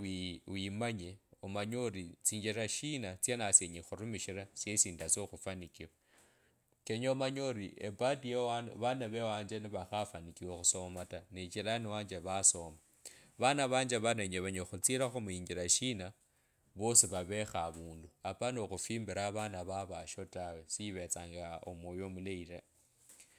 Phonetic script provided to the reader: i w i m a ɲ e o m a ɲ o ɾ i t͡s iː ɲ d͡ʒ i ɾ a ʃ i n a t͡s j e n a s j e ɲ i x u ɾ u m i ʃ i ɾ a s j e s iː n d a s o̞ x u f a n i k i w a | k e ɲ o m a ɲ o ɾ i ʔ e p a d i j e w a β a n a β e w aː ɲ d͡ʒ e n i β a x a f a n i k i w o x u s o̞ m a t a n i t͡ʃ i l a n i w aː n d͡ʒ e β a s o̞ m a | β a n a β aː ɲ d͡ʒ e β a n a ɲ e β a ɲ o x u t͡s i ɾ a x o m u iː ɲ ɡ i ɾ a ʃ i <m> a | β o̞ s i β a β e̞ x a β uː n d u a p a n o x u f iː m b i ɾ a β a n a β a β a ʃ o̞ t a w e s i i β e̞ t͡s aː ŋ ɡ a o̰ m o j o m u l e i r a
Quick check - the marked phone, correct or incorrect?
incorrect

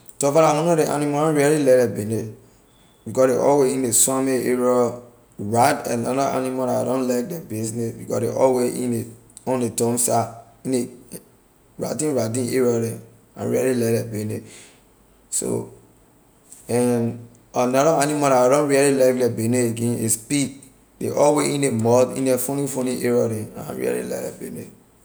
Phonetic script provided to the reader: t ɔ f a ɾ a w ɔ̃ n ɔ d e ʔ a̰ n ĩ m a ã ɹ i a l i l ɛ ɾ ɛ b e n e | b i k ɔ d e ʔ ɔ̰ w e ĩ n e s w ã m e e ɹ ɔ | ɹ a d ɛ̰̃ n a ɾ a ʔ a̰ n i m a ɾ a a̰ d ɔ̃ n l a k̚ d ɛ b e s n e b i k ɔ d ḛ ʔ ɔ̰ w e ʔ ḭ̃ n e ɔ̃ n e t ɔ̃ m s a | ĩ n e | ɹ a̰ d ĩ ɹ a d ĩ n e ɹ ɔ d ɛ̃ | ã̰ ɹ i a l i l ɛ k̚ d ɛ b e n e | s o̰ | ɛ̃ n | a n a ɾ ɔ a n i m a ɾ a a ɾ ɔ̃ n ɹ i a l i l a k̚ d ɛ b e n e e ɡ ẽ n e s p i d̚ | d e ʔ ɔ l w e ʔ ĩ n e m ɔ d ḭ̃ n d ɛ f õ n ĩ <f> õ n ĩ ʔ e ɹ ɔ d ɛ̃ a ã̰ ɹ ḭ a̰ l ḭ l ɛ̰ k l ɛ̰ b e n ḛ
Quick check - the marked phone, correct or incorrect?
correct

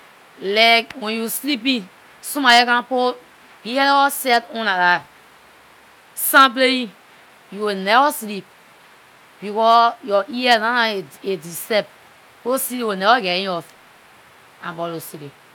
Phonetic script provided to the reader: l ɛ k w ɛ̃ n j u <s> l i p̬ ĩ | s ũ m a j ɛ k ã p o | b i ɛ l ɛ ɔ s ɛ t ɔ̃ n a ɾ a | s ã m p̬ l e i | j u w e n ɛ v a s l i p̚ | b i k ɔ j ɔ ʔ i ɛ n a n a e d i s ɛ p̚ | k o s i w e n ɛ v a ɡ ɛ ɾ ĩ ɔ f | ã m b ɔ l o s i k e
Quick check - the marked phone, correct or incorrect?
correct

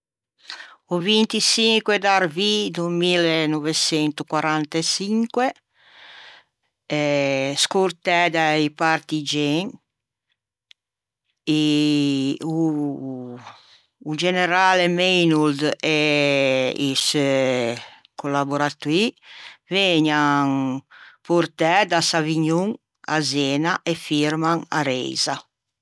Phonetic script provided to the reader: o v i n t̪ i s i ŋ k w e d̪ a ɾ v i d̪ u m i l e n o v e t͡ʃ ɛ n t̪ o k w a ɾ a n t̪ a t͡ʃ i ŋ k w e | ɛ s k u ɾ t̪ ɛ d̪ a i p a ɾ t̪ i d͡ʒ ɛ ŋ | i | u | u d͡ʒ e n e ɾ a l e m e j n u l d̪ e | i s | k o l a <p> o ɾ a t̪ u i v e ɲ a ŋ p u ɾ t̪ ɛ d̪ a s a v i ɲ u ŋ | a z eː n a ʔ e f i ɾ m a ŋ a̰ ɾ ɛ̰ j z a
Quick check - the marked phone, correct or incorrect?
incorrect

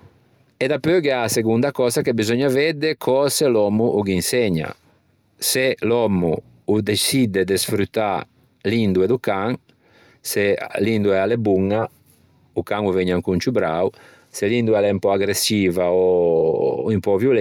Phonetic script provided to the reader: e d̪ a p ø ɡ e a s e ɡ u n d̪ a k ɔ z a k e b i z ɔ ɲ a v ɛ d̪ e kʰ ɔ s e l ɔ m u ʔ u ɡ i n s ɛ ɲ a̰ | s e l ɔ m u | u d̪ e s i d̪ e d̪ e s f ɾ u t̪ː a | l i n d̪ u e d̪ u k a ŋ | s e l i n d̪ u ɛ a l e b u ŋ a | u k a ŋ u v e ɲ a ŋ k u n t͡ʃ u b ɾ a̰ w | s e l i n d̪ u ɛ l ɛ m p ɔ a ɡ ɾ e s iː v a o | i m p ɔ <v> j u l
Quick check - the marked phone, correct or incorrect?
correct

